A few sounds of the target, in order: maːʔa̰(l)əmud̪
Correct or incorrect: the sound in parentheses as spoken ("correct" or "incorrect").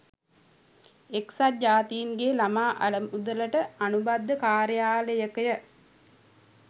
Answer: correct